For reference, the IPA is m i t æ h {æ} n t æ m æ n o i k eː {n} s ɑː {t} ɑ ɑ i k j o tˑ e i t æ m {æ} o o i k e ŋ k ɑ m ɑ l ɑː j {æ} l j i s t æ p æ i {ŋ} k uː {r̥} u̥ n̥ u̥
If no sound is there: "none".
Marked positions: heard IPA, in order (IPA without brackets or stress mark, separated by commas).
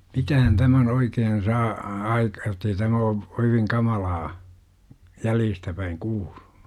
æ, n, none, æ, æ, ŋ, l̥